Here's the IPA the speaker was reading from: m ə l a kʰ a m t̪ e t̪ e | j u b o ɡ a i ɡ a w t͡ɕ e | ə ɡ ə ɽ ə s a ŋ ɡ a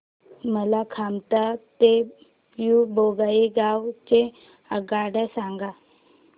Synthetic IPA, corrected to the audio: m ə l a kʰ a m t̪ a t̪ e | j u b o ɡ a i ɡ a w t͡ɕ e | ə ɡ a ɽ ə s a ŋ ɡ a